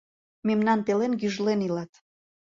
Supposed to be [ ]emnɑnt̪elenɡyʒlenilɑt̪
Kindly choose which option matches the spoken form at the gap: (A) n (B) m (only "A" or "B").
B